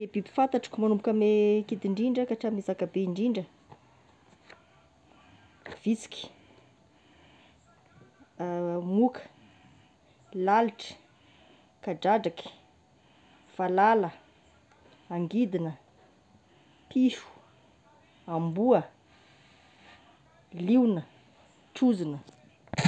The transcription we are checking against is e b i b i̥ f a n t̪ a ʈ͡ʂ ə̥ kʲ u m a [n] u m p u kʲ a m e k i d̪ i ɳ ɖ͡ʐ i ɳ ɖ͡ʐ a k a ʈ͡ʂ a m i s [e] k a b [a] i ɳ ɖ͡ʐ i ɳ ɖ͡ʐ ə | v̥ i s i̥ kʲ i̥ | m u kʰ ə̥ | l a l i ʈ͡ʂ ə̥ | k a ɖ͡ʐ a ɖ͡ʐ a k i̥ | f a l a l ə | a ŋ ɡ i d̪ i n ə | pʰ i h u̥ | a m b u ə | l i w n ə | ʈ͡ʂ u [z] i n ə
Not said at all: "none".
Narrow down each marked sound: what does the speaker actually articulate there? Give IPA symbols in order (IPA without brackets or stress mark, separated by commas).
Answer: n, a, e, z